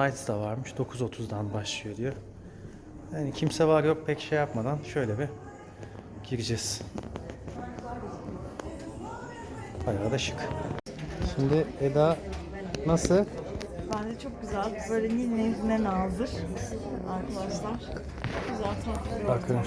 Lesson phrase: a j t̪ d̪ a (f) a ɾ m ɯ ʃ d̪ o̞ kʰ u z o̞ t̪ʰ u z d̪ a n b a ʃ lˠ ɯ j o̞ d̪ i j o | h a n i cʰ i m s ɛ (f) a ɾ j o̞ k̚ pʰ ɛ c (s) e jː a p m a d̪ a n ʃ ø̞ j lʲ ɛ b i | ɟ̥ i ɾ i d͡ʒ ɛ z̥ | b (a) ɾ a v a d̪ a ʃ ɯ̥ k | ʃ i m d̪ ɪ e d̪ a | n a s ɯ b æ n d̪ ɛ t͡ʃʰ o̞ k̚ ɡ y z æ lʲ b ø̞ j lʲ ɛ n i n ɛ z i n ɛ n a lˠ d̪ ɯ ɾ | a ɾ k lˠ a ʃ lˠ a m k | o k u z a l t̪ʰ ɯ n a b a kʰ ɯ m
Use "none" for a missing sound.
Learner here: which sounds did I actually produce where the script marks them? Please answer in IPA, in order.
v, v, ʃ, a

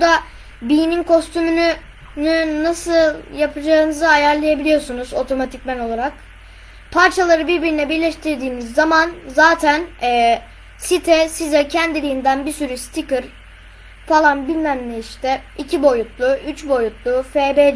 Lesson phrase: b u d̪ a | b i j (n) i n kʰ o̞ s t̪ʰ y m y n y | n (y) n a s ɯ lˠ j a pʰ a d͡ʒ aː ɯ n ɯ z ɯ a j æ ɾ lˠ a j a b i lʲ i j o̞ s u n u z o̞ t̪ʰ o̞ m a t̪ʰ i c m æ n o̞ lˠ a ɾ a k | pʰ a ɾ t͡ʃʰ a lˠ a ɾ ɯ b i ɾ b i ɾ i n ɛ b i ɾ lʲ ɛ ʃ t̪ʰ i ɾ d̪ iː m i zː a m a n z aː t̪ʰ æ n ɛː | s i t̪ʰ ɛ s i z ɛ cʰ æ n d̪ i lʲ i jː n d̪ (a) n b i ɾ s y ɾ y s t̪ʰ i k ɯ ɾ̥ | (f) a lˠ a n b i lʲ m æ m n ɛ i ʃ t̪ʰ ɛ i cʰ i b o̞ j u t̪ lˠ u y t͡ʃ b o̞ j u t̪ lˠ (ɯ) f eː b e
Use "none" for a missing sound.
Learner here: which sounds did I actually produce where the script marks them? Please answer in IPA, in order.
n, y, æ, f, u

